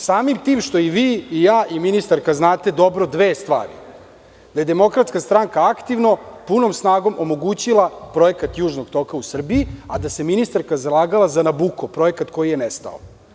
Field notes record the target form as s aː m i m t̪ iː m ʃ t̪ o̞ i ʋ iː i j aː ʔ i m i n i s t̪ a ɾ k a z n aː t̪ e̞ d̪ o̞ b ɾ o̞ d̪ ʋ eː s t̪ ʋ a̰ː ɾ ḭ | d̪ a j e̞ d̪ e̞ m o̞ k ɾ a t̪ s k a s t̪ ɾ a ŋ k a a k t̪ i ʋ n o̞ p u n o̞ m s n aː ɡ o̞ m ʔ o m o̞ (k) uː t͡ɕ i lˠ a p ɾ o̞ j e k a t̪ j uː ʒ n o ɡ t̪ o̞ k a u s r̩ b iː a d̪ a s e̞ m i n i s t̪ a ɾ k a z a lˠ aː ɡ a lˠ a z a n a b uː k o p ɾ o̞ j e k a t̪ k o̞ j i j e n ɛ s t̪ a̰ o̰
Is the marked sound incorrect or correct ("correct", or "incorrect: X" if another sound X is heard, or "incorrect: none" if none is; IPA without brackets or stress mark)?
incorrect: ɡ